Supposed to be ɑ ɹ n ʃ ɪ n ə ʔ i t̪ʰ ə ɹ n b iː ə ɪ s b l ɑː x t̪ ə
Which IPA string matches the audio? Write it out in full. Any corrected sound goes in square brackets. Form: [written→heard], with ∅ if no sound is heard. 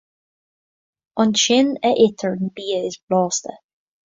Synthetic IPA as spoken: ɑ [ɹ→∅] n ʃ ɪ n ə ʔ [i→ɪ] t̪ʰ ə ɹ n b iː ə ɪ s b l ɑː [x→s] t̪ ə